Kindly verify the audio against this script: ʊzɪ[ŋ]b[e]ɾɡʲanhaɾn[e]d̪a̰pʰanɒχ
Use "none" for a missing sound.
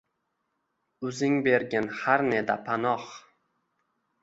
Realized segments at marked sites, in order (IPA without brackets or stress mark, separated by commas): ŋ, e, e